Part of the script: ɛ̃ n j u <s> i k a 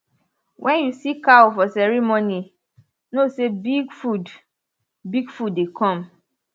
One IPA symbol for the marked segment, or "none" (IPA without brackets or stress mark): s